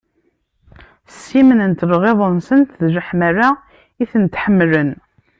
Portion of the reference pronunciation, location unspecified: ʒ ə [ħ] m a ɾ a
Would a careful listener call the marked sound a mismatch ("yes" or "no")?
no